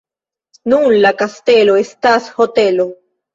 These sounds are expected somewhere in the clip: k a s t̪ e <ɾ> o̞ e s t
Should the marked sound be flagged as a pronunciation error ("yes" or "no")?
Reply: yes